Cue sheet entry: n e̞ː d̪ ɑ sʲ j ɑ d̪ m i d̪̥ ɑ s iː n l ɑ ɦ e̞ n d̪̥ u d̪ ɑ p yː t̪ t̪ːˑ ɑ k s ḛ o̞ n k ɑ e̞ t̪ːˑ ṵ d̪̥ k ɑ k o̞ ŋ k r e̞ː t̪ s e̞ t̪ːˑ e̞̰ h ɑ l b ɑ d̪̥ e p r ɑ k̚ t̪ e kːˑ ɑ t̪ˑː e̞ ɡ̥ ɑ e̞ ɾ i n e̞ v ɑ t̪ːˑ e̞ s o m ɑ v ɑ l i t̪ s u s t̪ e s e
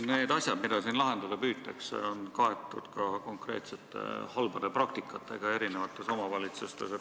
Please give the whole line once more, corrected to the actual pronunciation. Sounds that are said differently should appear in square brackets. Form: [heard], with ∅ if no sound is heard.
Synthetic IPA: n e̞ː d̪ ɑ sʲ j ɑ d̪ m i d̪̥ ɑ s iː n l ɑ ɦ e̞ n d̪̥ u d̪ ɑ p yː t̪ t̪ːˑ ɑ k s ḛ o̞ n k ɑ e̞ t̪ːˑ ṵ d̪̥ k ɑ k o̞ ŋ k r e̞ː t̪ s e̞ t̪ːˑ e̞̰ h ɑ l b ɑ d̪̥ e p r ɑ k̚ t̪ [i] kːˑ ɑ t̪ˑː e̞ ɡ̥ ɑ e̞ ɾ i n e̞ v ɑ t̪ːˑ e̞ s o m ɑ v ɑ l i t̪ s u s t̪ e s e